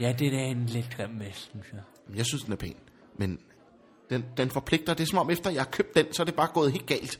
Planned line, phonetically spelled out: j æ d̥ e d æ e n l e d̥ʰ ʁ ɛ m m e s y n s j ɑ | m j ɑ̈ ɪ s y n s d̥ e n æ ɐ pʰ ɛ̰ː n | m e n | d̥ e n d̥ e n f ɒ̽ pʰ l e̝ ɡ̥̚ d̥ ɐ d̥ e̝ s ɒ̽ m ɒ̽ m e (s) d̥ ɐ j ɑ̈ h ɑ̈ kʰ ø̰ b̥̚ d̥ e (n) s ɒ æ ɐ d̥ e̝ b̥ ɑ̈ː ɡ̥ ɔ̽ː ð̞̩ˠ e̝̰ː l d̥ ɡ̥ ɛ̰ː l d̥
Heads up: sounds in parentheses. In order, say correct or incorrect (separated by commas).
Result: incorrect, correct